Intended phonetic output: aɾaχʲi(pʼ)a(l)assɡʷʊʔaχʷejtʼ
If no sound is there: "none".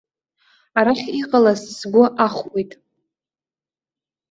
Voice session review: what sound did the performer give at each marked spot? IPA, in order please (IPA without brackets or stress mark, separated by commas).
qʼ, l